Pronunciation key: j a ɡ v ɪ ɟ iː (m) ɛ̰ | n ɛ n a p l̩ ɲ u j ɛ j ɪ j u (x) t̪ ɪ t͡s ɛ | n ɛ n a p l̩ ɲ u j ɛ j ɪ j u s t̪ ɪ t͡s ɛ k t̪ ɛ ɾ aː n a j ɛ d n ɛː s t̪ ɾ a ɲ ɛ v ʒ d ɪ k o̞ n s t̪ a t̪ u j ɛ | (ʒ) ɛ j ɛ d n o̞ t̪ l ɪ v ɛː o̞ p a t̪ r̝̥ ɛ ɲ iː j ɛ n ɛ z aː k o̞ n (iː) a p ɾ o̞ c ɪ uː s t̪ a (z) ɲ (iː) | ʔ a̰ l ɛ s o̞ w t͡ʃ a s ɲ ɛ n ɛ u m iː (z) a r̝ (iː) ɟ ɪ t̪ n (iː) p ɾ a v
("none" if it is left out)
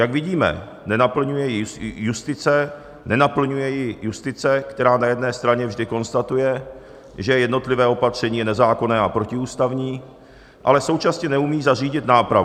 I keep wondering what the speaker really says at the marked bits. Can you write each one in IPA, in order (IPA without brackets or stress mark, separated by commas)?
m, s, ʒ, ɛː, v, iː, z, iː, aː